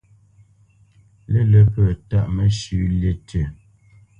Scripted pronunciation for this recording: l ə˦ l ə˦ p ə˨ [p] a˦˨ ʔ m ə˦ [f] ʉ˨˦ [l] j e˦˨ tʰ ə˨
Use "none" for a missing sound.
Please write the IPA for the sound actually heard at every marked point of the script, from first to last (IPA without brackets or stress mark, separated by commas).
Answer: t, ʃ, l